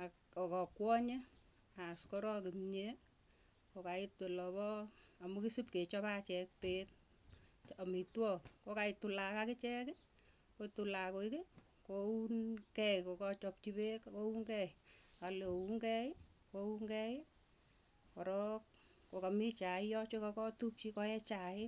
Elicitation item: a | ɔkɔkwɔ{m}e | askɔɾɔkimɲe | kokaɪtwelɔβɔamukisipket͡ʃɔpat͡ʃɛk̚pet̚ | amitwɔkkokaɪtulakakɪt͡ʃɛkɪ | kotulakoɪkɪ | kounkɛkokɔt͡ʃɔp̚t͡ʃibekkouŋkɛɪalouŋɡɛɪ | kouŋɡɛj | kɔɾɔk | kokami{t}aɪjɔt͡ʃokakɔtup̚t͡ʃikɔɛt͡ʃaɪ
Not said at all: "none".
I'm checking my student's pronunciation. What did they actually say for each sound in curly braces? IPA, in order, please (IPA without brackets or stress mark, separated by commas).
ɲ, t͡ʃ